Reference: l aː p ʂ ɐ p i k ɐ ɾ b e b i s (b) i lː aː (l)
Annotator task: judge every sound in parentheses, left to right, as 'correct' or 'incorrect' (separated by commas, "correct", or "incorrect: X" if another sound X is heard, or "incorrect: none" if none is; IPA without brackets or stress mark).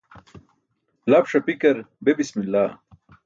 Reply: incorrect: m, incorrect: none